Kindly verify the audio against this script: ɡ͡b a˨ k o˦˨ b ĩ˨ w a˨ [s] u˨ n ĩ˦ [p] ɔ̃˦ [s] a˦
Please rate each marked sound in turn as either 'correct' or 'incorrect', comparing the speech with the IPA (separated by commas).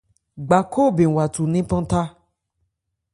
incorrect, correct, incorrect